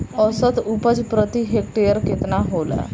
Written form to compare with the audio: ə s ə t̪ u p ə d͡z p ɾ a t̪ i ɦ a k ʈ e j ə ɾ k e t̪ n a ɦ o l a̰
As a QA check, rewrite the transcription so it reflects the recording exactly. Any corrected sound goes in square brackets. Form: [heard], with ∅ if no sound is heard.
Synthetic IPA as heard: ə s ə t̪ u p ə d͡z p ɾ [ə] t̪ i ɦ [e] k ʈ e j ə ɾ k e t̪ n a ɦ o l a̰